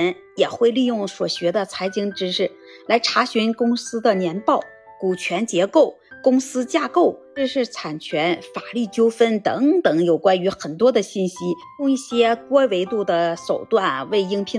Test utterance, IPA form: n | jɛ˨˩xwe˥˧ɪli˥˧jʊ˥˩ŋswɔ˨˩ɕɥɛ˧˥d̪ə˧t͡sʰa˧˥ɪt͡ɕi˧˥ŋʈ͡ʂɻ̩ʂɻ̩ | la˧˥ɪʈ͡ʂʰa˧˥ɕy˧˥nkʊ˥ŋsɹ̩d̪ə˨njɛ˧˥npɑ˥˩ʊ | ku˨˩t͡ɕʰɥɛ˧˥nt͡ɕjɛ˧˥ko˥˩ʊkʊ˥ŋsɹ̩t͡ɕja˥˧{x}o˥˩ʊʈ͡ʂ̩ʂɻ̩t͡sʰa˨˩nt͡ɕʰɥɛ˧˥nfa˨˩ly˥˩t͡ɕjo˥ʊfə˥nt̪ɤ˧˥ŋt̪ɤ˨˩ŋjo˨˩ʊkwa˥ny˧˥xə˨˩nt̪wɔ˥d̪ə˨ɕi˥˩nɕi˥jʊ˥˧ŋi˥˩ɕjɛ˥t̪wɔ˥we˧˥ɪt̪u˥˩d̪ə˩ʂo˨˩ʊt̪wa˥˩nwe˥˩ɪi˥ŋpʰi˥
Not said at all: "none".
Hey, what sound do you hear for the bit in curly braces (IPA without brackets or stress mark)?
k